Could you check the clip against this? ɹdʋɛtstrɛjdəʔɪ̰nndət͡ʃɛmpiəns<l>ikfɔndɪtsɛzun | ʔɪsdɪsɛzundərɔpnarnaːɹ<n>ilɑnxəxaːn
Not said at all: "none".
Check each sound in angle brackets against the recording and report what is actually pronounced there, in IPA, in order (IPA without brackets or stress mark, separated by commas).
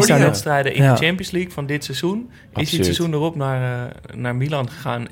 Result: l, m